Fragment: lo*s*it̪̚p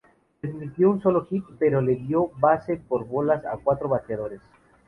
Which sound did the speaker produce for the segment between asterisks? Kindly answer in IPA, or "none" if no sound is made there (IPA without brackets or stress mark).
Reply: x